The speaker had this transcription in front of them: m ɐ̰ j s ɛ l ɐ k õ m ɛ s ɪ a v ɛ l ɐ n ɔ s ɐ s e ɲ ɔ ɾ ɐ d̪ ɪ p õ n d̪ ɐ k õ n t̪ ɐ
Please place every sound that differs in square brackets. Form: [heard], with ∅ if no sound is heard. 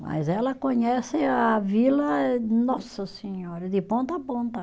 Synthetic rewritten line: m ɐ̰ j [z] ɛ l ɐ k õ [ɲ] ɛ s ɪ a v [i] l ɐ n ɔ s ɐ s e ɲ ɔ ɾ ɐ d̪ ɪ p õ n [t̪] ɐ [p] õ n t̪ ɐ

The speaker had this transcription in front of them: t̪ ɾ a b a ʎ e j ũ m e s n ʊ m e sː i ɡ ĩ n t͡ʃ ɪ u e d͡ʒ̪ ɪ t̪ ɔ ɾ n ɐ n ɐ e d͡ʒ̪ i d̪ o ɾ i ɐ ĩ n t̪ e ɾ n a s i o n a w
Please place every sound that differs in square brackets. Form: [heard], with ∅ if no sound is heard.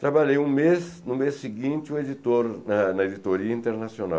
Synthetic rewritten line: t̪ ɾ a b a ʎ e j ũ m e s n ʊ m e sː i ɡ ĩ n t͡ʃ ɪ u e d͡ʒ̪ [i] t̪ [o] ɾ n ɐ n ɐ e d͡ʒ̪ i [t̪] o ɾ i ɐ ĩ n t̪ e ɾ n a s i o n a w

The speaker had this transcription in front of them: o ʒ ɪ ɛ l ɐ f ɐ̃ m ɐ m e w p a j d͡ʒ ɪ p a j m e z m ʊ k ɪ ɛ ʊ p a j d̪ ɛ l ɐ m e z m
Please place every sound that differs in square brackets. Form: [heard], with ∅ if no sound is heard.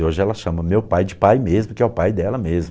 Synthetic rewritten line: o ʒ ɪ ɛ l ɐ [ʃ] ɐ̃ m ɐ m e w p a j d͡ʒ ɪ p a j m e z m ʊ k ɪ ɛ ʊ p a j d̪ ɛ l ɐ m e z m

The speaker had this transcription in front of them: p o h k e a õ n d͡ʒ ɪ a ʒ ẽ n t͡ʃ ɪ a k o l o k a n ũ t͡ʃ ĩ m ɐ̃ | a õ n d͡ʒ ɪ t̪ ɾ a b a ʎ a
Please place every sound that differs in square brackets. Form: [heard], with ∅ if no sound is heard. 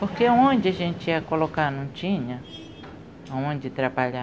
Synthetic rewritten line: p o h k e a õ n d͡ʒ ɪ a ʒ ẽ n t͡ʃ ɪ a k o l o k a n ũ t͡ʃ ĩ [ɲ] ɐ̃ | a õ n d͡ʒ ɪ t̪ ɾ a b a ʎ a

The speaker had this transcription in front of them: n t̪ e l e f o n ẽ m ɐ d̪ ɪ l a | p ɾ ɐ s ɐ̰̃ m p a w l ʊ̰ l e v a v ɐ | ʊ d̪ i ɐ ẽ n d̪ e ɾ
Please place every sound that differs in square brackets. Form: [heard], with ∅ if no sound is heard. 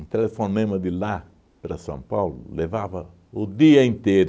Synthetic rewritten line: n t̪ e l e f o n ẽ m ɐ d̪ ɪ l a | p ɾ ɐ s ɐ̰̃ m p a w l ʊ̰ l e v a v ɐ | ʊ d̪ i ɐ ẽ n [t̪] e ɾ

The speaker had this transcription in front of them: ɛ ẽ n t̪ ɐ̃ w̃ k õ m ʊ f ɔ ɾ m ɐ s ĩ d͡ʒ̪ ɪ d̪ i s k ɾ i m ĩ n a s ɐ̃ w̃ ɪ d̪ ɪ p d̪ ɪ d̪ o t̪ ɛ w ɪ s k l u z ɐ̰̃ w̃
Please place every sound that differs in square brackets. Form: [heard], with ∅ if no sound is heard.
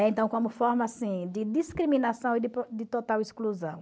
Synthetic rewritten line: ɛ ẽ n t̪ ɐ̃ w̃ k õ m ʊ f ɔ ɾ m ɐ s ĩ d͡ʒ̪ ɪ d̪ i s k ɾ i m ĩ n a s ɐ̃ w̃ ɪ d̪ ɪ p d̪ ɪ [t̪] o t̪ [a] w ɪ s k l u z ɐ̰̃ w̃

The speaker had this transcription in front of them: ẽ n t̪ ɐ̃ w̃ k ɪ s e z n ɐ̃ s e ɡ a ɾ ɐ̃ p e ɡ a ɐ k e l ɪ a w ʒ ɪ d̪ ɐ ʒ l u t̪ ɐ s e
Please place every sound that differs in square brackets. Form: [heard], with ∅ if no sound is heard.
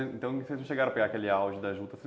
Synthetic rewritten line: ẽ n t̪ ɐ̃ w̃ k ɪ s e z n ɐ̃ [ʃ] e ɡ a ɾ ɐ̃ p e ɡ a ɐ k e l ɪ a w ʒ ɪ d̪ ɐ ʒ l u t̪ ɐ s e

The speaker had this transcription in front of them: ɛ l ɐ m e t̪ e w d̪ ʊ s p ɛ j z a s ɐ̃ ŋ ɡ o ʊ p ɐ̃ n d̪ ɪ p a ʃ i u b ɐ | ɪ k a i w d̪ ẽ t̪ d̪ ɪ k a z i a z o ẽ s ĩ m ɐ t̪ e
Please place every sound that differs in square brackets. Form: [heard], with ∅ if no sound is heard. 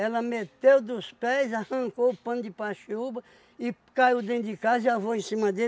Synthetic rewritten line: ɛ l ɐ m e t̪ e w d̪ ʊ s p ɛ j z a [h] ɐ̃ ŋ [k] o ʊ p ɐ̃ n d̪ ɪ p a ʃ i u b ɐ | ɪ k a i w d̪ ẽ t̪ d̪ ɪ k a z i a [v] o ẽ s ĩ m ɐ [d̪] e

